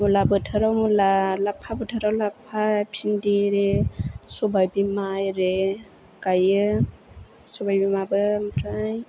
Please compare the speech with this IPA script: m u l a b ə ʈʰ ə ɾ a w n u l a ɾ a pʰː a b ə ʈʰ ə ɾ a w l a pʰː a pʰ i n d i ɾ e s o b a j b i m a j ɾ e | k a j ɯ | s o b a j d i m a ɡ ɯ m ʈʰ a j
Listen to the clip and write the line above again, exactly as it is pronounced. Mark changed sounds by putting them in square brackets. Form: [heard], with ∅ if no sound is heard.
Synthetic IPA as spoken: m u l a b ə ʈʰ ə ɾ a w [m] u l a [l] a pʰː a b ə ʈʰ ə ɾ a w l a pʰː a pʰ i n d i ɾ e s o b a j b i m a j ɾ e | k a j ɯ | s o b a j [b] i m a [b] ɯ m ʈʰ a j